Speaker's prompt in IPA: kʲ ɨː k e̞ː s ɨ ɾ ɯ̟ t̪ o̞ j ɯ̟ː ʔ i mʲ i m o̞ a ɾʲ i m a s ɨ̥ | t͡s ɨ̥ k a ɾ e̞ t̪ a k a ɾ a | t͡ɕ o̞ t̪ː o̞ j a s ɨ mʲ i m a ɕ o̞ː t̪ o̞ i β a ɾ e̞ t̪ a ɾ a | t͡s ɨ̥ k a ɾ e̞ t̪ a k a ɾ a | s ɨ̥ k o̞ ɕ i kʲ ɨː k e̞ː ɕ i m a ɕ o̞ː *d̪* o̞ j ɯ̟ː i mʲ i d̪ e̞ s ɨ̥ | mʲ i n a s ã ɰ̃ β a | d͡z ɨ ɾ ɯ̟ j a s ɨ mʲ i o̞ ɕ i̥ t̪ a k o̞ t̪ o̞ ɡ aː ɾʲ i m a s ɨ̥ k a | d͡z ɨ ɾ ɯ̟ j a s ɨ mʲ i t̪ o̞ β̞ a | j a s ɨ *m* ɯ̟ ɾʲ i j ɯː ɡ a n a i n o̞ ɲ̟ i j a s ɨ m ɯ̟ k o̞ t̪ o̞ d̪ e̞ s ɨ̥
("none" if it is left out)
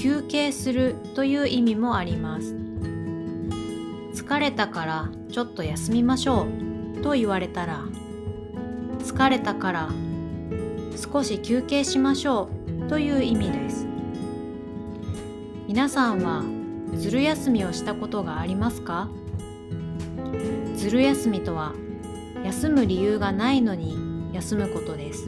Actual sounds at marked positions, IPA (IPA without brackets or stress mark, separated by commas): t̪, m